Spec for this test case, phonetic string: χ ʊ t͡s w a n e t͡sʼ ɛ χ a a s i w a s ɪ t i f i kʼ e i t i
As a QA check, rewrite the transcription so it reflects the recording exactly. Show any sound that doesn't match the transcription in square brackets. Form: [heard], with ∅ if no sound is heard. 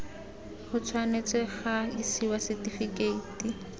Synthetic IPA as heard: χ ʊ [t͡sʰ] w a n e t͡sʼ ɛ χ a [i] s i w a s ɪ t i f i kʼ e i t i